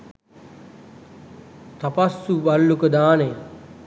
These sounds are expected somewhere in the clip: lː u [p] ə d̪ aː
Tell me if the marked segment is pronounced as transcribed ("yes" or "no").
no